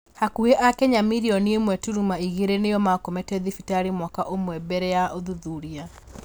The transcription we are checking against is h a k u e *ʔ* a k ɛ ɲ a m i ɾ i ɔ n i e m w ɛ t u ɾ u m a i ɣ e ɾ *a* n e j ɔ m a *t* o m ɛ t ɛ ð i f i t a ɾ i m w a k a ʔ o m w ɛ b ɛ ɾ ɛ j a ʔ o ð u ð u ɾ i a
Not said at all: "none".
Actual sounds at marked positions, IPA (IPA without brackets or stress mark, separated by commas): ʔ, e, k